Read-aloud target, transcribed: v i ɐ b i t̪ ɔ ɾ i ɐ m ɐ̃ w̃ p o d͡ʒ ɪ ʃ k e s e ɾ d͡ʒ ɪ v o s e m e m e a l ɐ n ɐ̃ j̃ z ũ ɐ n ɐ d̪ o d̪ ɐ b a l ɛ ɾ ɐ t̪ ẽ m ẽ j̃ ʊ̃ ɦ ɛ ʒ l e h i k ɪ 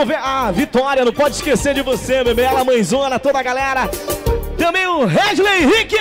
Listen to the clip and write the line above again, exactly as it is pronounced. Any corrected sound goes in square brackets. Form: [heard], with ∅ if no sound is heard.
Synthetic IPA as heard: v [e] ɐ [v] i t̪ ɔ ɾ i ɐ [n] ɐ̃ w̃ p [ɔ] d͡ʒ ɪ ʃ k e s e ɾ d͡ʒ ɪ v o s e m e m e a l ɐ [m] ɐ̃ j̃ z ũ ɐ n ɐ [t̪] o d̪ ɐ [ɡ] a l ɛ ɾ ɐ t̪ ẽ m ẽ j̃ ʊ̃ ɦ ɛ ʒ l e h i k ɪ